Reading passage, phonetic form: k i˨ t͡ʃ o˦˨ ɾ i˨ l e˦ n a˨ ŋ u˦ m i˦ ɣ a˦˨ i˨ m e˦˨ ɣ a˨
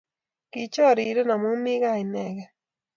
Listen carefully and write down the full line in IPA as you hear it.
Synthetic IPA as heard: k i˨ t͡ʃ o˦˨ ɾ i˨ ɾ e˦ n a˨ m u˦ m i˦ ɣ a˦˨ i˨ n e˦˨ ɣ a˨

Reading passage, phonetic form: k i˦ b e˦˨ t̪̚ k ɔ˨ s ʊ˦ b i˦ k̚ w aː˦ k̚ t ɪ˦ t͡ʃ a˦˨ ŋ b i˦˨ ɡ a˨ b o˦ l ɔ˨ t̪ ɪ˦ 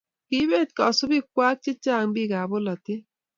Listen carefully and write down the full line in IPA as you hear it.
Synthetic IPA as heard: k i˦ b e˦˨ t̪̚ k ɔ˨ s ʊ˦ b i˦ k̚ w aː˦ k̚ t͡ʃ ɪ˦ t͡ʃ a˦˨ ŋ b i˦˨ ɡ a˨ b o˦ l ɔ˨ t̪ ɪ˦

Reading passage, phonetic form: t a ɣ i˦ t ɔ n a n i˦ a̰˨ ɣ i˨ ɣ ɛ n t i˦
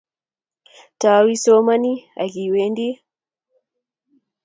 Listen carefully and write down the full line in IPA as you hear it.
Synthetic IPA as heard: t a w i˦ s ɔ m a n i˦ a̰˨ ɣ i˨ w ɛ n d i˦

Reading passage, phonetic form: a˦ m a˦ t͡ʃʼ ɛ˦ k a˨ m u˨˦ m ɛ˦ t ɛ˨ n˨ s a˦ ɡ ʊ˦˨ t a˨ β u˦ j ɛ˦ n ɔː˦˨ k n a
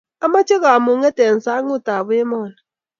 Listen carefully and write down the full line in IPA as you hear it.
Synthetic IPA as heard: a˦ m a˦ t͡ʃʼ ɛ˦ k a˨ m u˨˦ ŋ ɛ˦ t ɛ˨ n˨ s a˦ ŋ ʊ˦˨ t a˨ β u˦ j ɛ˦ m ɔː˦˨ n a

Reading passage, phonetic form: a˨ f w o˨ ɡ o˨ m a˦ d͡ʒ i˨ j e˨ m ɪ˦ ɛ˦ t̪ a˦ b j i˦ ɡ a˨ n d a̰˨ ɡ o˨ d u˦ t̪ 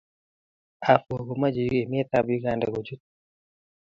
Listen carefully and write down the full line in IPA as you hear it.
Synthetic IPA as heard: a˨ f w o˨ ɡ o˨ m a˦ d͡ʒ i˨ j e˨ m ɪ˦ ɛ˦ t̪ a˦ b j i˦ ɡ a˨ n d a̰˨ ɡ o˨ d͡ʒ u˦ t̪

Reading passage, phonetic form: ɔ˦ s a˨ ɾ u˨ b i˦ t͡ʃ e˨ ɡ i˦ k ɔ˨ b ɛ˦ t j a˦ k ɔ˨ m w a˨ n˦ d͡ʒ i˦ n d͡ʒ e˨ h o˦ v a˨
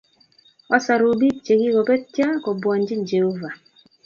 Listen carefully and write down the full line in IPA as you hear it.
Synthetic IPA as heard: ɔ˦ s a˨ ɾ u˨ b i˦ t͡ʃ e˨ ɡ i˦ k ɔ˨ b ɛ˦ t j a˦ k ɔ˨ b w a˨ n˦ d͡ʒ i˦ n d͡ʒ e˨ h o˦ v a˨

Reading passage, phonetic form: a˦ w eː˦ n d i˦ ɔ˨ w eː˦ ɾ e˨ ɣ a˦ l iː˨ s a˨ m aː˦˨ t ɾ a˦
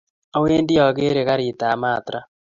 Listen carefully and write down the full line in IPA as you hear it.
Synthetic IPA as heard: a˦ w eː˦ n d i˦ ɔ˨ ɣ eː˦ ɾ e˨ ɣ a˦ ɾ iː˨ t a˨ m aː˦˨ t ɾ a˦

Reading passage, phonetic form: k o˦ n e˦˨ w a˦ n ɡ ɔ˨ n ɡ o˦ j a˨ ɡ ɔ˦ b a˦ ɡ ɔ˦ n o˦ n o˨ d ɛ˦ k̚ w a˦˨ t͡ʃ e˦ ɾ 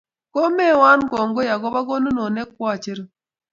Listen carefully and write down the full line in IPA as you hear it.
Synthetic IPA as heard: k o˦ m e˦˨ w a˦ n ɡ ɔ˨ ŋ ɡ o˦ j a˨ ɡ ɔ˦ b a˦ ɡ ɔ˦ n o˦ n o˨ n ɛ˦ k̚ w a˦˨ t͡ʃ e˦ ɾ

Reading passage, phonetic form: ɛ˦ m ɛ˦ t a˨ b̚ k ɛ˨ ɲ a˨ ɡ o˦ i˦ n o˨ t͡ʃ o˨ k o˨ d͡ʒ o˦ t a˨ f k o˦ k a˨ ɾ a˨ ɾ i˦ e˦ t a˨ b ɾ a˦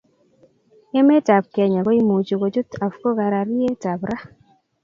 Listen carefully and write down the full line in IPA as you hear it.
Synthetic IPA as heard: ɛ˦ m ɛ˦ t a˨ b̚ k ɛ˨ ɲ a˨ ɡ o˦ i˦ m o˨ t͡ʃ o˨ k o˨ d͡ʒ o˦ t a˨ f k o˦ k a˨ ɾ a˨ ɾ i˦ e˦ t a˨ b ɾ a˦

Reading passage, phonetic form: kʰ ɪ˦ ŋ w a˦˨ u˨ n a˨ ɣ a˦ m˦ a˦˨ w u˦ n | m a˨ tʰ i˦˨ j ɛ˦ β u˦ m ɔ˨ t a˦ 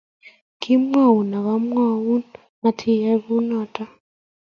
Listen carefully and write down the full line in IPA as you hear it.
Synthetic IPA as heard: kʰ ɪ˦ m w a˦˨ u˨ n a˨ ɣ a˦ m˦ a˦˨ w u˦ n | m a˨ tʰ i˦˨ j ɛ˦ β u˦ n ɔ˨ t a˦

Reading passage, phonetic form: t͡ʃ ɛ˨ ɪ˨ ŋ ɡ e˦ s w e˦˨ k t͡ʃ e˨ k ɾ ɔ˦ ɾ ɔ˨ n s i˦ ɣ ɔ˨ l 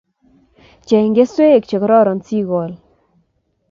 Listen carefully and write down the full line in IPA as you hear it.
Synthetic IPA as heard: t͡ʃ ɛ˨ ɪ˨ ŋ ɡ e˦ s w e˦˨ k t͡ʃ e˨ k ɾ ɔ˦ ɾ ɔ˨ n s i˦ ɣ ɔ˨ l

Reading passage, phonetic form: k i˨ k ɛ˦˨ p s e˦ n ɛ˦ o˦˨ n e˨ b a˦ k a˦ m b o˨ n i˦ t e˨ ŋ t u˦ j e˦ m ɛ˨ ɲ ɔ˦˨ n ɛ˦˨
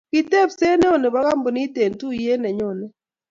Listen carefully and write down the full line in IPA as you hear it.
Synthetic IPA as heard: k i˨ t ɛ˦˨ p s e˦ n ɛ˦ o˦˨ n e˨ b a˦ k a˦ m b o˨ n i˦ t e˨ n t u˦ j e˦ n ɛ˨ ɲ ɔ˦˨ n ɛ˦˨

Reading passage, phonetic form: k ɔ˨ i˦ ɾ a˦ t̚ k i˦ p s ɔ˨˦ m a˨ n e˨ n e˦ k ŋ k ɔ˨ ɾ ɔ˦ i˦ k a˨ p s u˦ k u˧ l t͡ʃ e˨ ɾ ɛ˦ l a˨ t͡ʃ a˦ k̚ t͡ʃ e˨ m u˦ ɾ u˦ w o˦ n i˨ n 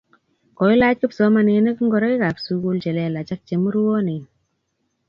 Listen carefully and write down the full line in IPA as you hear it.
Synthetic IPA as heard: k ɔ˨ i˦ l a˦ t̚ k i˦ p s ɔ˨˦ m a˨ n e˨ n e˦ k ŋ ɡ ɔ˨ ɾ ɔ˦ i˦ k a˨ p s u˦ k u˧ l t͡ʃ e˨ l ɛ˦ l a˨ t͡ʃ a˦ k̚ t͡ʃ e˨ m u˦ ɾ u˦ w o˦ n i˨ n

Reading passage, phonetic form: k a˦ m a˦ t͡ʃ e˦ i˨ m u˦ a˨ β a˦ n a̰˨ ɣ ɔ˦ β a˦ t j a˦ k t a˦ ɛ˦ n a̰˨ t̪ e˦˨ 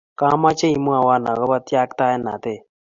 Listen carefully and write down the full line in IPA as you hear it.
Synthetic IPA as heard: k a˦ m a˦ t͡ʃ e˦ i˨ m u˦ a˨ w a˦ n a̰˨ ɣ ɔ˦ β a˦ t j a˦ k t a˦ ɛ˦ n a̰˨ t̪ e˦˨

